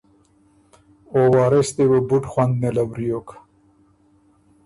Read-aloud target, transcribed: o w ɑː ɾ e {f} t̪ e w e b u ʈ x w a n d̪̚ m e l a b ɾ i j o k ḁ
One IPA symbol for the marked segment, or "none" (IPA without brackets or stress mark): s